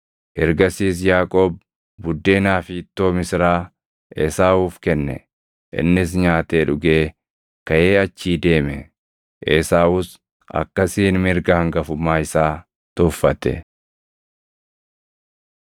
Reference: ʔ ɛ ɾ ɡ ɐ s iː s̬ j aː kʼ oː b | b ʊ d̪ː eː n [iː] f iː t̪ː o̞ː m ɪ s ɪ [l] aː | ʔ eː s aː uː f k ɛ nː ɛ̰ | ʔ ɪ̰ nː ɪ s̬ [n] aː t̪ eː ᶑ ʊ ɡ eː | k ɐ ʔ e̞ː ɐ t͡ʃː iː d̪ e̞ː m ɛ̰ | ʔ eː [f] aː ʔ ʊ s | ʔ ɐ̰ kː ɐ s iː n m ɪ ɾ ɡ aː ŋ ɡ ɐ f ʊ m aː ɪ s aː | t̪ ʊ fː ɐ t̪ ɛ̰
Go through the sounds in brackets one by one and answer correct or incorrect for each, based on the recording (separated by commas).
incorrect, incorrect, incorrect, incorrect